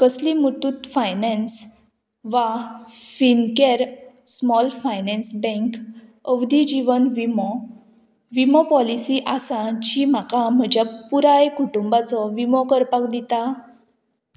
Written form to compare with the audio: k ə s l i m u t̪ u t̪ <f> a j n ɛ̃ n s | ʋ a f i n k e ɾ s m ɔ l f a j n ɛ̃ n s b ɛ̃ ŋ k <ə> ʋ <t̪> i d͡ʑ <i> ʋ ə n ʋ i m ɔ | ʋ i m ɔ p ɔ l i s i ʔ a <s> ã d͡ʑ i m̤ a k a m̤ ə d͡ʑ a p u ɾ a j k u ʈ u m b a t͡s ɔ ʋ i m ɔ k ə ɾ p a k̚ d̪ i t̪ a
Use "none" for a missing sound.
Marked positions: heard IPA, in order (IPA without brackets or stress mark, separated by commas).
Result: f, ə, d̪, i, s